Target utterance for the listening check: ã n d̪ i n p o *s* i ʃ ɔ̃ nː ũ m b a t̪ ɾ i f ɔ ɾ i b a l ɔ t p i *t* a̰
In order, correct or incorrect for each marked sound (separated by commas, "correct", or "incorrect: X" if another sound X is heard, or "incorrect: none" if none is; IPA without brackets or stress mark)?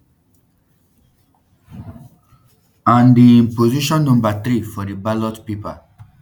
incorrect: z, incorrect: p